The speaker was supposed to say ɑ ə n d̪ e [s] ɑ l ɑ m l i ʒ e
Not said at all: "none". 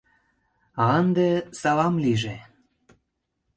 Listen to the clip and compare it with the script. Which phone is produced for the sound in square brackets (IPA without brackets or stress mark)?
s